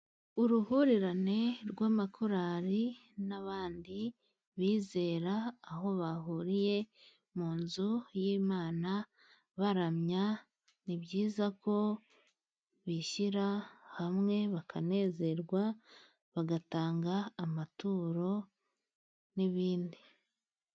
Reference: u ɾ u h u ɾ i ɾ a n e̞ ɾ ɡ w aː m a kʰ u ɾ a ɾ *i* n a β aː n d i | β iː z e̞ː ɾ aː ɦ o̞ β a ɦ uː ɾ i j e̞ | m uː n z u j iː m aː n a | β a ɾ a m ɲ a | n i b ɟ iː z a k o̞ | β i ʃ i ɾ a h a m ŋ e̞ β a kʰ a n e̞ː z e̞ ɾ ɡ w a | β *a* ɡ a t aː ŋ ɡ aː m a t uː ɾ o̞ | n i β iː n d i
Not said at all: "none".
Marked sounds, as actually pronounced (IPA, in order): i, a

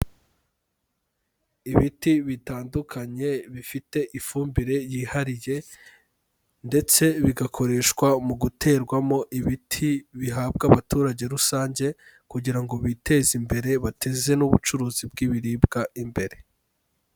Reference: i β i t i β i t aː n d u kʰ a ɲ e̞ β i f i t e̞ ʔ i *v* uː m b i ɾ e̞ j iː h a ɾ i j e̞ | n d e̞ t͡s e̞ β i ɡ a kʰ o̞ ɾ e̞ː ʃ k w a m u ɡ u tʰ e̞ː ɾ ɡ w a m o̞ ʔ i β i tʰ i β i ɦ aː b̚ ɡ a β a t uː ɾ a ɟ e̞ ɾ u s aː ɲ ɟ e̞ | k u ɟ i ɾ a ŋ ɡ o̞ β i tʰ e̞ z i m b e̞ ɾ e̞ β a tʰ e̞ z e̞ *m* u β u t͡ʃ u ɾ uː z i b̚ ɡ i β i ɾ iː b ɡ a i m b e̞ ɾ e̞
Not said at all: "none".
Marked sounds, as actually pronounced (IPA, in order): f, n

